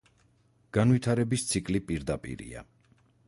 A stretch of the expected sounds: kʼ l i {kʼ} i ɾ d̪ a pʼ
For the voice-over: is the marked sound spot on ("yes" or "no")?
no